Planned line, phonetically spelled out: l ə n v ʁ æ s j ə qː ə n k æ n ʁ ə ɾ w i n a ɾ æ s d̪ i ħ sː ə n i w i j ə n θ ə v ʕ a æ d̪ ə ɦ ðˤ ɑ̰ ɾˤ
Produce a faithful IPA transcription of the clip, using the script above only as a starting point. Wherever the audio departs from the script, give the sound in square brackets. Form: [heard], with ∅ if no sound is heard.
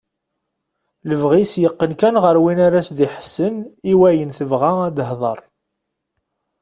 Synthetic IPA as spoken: l ə [∅] v ʁ [i] s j ə qː ə n k æ n ʁ ə ɾ w i n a ɾ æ s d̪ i ħ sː ə n i w [æ] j ə n θ ə v [ʁ] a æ d̪ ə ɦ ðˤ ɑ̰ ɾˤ

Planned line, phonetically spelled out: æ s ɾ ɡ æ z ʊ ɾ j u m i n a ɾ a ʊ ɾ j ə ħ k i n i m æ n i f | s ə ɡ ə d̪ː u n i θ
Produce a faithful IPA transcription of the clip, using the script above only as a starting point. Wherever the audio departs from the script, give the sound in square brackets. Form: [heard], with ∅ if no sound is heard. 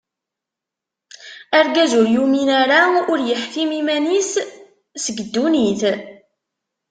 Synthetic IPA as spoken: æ [∅] ɾ ɡ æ z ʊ ɾ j u m i n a ɾ a ʊ ɾ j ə ħ k i [m] i m æ n i [s] | s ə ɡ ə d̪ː u n i θ

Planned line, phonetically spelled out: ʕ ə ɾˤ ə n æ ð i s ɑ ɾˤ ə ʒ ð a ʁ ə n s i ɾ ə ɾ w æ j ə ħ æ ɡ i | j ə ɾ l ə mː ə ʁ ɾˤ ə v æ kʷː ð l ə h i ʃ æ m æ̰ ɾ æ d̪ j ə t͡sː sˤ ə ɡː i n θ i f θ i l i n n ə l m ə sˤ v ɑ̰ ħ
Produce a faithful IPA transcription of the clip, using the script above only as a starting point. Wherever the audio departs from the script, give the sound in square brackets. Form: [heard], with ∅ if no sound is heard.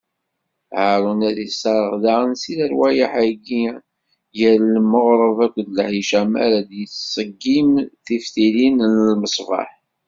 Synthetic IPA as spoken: ʕ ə ɾˤ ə n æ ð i s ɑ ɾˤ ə [ʁ] ð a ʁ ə n s i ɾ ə ɾ w æ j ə ħ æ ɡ i | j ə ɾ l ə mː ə ʁ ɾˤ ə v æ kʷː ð l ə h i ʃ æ m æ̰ ɾ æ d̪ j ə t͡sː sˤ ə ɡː i [m] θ i f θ i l i n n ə l m ə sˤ v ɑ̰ ħ

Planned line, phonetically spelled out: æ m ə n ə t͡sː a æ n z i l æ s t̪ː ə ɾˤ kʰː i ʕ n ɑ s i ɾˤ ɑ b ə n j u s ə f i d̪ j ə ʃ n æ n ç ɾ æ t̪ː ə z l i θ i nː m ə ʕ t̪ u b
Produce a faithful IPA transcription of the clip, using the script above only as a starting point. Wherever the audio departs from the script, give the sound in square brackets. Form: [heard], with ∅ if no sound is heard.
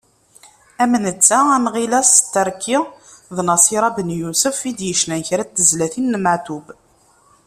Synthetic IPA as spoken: æ m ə n ə t͡sː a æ n [ʁ] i l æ s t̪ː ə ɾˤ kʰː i [ð] n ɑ s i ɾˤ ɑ b ə n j u s ə f i d̪ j ə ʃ n æ n ç ɾ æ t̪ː ə z l [æ] θ i nː m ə ʕ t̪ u b

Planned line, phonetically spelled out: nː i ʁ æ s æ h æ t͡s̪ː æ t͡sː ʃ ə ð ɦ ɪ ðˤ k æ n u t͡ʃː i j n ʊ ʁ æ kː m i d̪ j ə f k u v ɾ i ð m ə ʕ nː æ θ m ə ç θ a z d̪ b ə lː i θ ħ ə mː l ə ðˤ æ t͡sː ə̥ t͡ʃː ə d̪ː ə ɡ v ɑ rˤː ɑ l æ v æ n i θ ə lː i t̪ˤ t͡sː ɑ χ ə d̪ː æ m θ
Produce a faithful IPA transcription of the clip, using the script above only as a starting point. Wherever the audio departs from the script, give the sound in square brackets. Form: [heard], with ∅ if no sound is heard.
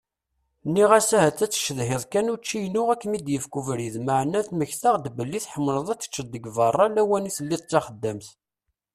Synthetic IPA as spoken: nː i ʁ æ s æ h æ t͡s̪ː æ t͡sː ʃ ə ð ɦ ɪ ðˤ k æ n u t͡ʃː i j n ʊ ʁ æ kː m i d̪ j ə f k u v ɾ i ð m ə ʕ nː æ θ m ə ç θ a [ʁ] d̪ b ə lː i θ ħ ə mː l ə ðˤ æ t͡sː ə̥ t͡ʃː ə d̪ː ə ɡ v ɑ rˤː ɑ l æ [w] æ n i θ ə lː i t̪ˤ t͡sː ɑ χ ə d̪ː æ m θ

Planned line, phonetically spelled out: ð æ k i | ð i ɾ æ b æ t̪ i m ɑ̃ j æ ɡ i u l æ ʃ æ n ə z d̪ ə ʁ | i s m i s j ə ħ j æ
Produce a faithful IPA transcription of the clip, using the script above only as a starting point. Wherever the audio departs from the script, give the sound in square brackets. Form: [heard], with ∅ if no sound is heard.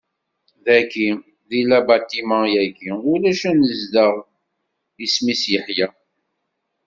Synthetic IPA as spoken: ð æ k i | ð i [l] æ b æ t̪ i m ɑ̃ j æ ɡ i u l æ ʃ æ n ə z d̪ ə ʁ | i s m i s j ə ħ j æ

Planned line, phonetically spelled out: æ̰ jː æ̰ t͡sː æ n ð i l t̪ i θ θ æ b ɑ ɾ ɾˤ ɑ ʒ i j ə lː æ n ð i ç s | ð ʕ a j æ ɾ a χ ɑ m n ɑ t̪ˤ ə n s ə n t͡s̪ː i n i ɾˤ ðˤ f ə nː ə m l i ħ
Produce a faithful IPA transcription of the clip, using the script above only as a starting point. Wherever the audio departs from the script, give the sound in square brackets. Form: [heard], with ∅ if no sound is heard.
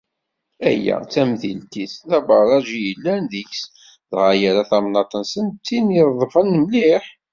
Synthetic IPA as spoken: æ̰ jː æ̰ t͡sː æ [m] ð i l t̪ i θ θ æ b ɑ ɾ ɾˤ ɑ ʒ i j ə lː æ n ð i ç s | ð [ʁ] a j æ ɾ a [θ] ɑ m n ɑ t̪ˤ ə n s ə n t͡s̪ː i n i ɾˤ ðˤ f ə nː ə m l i ħ

